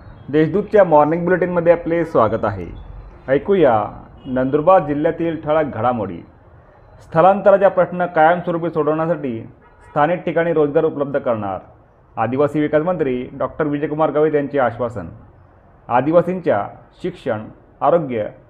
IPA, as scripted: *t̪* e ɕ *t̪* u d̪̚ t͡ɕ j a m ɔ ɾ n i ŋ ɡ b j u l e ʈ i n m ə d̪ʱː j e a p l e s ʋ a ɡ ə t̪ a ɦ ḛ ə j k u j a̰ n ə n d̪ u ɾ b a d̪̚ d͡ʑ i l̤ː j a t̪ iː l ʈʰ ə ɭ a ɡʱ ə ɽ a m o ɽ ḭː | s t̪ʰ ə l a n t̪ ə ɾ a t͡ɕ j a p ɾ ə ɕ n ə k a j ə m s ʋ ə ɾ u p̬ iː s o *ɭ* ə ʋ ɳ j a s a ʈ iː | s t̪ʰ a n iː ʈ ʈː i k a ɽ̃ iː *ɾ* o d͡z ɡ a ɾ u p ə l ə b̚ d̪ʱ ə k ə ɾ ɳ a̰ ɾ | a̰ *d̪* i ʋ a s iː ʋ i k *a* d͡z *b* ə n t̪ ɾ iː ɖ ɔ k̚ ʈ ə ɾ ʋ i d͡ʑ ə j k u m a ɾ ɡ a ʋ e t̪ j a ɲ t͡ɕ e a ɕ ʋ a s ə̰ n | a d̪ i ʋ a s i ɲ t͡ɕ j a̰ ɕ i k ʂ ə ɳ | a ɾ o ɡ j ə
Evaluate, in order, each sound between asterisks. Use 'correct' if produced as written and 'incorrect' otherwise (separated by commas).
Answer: incorrect, incorrect, incorrect, correct, correct, correct, incorrect